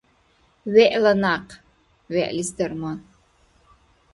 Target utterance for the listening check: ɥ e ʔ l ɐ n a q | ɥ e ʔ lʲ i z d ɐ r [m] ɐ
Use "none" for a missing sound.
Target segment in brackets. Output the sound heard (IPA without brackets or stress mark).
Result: m